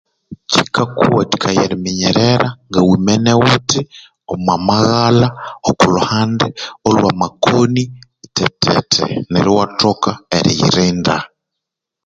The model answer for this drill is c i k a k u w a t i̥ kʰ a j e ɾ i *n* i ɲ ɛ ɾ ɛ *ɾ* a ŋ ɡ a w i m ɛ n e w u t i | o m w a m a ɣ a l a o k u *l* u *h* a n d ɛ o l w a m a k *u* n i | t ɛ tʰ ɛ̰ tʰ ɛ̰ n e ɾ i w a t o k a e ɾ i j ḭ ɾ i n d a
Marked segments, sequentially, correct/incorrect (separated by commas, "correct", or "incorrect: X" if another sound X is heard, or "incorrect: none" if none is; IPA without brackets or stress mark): incorrect: m, correct, correct, correct, incorrect: o